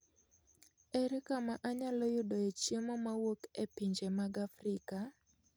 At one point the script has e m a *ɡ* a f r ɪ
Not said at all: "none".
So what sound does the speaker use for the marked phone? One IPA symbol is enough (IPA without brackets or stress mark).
ɡ